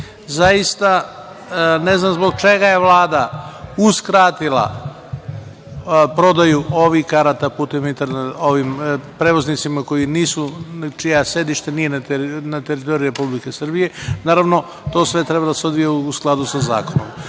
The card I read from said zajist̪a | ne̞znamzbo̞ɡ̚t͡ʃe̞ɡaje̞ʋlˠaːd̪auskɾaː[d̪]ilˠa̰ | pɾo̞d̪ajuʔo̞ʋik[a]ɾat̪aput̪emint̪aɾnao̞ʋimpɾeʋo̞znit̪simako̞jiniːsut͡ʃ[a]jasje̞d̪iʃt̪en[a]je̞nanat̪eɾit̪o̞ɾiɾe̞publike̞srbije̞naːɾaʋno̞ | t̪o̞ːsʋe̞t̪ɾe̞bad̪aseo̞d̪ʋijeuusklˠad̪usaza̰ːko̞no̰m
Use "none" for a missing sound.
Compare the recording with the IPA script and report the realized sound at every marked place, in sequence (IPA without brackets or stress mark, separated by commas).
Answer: t̪, a, i, i